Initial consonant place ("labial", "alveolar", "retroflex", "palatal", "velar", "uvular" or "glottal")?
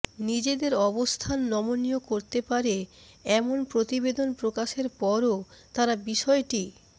alveolar